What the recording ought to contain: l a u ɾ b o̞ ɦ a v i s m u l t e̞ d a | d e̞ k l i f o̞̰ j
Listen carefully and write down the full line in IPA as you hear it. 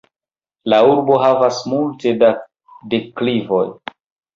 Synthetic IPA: l a u ɾ b o̞ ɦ a v a s m u l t e̞ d a | d e̞ k l i v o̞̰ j